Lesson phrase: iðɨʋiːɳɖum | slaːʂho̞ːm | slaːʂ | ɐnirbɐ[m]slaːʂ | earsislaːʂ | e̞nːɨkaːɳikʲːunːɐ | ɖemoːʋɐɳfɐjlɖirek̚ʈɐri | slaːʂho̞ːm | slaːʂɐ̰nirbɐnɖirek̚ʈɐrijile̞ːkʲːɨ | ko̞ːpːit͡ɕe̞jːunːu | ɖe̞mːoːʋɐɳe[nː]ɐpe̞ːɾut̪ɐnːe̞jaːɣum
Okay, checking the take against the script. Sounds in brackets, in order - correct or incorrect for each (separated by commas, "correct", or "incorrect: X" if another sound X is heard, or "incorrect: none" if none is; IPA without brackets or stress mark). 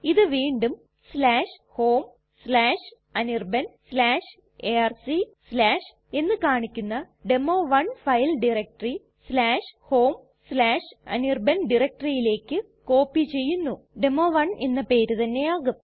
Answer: incorrect: n, correct